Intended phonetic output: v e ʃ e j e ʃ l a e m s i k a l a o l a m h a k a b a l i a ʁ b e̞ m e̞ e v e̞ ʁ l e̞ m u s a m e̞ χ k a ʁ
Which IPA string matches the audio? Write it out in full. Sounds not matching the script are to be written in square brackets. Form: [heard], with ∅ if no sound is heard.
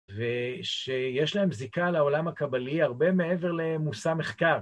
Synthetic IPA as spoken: v e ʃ e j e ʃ l a e m [z] i k a l a o l a m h a k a b a l i a ʁ b e̞ m e̞ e v e̞ ʁ l e̞ m u s a m e̞ χ k a ʁ